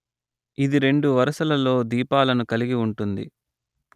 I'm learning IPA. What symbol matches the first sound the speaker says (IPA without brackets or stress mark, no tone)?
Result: i